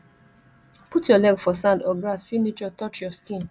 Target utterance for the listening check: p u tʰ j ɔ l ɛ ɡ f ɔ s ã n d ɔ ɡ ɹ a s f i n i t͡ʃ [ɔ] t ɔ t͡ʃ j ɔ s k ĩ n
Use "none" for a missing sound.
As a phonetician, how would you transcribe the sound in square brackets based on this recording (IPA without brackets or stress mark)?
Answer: ɔ